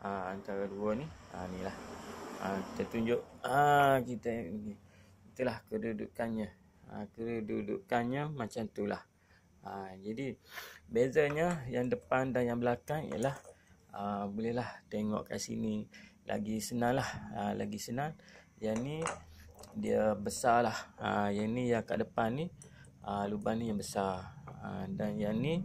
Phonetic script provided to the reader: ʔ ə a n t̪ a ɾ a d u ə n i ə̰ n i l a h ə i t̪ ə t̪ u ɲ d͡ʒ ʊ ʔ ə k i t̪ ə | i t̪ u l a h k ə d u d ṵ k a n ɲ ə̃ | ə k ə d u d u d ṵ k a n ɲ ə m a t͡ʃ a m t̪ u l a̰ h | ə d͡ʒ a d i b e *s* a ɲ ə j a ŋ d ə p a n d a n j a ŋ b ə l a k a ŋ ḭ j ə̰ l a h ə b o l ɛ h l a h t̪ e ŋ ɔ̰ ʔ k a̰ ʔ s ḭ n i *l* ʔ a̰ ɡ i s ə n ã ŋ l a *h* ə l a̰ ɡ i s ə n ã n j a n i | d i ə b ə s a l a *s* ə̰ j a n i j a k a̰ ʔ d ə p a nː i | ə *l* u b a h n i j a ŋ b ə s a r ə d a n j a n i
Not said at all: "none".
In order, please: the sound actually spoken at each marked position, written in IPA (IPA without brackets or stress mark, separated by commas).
z, l, h, h, l